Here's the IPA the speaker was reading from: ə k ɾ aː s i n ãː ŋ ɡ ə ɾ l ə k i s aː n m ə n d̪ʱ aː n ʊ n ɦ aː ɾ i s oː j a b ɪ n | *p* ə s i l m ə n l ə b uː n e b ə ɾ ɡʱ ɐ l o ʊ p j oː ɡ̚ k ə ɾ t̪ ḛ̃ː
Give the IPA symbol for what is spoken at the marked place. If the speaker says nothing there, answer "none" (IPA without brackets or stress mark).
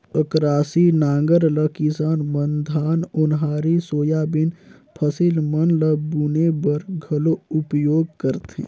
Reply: pʰ